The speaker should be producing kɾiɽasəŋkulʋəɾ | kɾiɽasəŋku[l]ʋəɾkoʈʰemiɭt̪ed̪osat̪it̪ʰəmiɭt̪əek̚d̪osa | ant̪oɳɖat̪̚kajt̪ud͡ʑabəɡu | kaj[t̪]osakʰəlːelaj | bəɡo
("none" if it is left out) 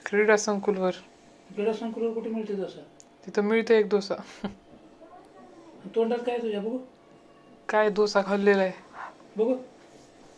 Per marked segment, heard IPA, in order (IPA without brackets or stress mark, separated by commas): l, d̪